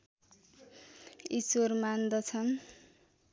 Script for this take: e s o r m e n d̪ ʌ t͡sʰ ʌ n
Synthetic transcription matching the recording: i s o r m a n d̪ ʌ t͡sʰ ʌ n